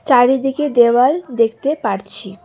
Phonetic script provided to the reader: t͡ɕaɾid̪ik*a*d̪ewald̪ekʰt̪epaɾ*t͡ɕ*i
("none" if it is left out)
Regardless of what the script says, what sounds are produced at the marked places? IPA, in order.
e, t͡ɕʰ

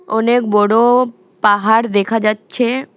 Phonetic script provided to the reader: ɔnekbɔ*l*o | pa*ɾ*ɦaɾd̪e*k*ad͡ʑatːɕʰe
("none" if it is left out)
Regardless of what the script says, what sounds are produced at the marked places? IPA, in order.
ɽ, none, kʰ

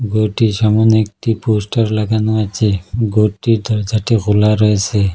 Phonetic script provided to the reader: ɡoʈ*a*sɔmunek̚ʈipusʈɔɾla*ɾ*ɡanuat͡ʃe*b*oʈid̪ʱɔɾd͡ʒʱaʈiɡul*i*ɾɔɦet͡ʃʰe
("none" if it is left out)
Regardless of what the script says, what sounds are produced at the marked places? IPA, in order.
i, none, ɡ, a

